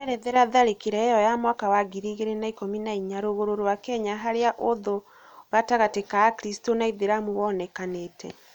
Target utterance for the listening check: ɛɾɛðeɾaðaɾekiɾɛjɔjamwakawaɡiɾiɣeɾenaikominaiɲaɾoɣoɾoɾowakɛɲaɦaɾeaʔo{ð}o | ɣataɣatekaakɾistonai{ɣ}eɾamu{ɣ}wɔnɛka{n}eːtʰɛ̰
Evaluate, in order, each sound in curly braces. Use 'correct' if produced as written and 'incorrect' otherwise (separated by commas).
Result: correct, incorrect, incorrect, correct